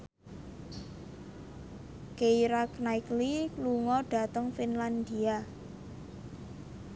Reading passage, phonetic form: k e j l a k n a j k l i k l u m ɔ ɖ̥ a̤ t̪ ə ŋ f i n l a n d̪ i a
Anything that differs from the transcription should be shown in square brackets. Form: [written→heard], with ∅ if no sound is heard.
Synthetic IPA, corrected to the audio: k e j [l→ɾ] a k n a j k l i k l u [m→ŋ] ɔ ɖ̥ a̤ t̪ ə ŋ f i n l a n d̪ i a

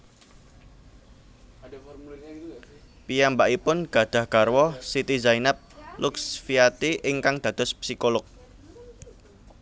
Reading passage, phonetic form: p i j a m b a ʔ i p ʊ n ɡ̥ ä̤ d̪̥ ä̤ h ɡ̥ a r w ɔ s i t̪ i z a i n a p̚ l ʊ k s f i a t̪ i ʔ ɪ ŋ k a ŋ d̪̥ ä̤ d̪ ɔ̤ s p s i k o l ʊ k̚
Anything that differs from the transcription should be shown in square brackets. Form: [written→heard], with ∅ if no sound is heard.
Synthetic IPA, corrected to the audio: p i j a m b a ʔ i p ʊ n ɡ̥ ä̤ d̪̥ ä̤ h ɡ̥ a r w ɔ s i t̪ i z a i n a p̚ l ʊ k s f i a t̪ i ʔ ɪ ŋ k a ŋ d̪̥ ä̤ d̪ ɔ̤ s p s i k o l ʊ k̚

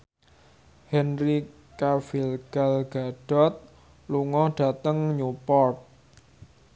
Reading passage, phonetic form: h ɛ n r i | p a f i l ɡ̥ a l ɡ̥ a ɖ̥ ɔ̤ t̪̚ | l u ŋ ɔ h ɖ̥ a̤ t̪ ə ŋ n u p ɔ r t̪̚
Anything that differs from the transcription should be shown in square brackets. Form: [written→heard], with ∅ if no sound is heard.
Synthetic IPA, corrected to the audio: h ɛ n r i | [p→k] a f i l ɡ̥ a l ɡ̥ a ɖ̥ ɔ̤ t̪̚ | l u ŋ ɔ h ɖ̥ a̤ t̪ ə ŋ [n→ɲ] u p ɔ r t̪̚

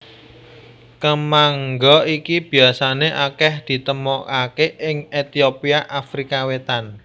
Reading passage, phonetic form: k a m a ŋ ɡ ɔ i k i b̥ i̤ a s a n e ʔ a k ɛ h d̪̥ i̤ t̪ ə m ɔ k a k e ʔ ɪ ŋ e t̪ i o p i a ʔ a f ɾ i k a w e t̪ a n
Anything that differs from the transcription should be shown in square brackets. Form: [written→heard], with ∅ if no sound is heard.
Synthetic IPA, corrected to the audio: k [a→ə] m a ŋ ɡ ɔ i k i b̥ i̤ a s a n e ʔ a k ɛ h d̪̥ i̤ t̪ ə m ɔ k a k e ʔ ɪ ŋ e t̪ i o p i a ʔ a f ɾ i k a w e t̪ a n

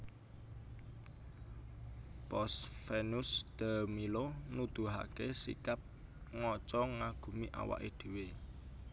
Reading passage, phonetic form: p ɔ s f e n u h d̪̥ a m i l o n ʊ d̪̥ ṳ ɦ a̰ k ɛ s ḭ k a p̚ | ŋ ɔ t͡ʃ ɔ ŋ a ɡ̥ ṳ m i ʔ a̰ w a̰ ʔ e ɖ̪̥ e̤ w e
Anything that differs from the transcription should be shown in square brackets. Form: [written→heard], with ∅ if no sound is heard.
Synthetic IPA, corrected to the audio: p ɔ s f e n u [h→s] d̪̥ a m i l o n [ʊ→u] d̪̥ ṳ ɦ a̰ k [ɛ→e] s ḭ k a p̚ | ŋ ɔ t͡ʃ ɔ ŋ a ɡ̥ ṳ m i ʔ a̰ w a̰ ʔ e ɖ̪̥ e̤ w e

